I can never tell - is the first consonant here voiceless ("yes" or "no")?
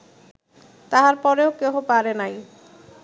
yes